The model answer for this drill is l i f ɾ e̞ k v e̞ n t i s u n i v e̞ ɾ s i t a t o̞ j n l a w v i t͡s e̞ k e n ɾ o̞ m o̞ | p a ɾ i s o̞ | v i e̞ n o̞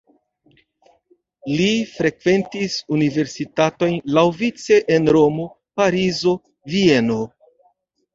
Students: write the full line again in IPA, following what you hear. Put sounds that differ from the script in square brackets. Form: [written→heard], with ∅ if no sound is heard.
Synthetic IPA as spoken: l i f ɾ e̞ k v e̞ n t i s u n i v e̞ ɾ s i t a t o̞ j n l a w v i t͡s e̞ [k→ʔ] e n ɾ o̞ m o̞ | p a ɾ i [s→z] o̞ | v i e̞ n o̞